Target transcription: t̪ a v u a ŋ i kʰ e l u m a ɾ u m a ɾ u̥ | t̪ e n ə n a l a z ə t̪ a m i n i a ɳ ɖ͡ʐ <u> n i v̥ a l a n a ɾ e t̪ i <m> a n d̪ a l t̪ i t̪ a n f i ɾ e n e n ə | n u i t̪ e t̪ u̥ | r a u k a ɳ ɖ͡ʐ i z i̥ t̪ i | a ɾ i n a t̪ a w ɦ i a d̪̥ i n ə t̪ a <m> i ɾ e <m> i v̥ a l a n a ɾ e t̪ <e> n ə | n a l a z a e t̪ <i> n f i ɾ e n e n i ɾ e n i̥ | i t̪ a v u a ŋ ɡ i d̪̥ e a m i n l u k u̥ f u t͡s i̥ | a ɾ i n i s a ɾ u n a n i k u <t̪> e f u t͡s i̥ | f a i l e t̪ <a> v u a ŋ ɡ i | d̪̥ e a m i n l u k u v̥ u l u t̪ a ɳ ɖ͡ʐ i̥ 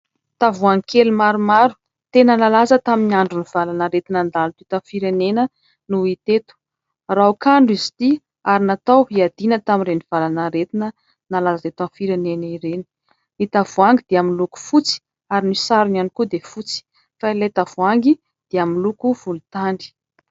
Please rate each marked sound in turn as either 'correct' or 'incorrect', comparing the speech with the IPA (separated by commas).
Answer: correct, incorrect, correct, incorrect, incorrect, incorrect, incorrect, correct